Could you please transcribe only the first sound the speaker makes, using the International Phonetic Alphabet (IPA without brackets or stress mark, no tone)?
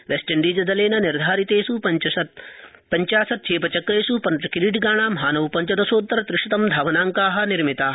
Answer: ʋ